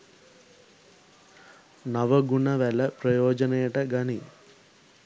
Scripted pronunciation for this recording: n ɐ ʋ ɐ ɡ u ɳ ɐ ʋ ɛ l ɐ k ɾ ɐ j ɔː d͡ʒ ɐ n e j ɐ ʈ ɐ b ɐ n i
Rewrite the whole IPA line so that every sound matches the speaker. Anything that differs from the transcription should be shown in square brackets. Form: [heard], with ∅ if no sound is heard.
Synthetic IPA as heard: n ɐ ʋ ɐ ɡ u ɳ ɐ ʋ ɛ l ɐ [p] ɾ ɐ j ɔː d͡ʒ ɐ n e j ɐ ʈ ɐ [ɡ] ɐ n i